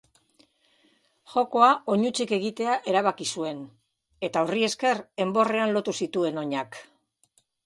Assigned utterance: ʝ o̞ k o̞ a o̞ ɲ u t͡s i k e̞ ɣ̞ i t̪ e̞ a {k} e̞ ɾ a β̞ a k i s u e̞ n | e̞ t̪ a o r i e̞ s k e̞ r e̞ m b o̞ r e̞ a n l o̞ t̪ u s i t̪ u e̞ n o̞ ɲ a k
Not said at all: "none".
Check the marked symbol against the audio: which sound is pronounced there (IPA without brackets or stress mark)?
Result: ʔ